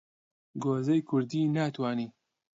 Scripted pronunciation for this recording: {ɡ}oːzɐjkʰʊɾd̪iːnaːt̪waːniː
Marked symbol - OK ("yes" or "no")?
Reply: yes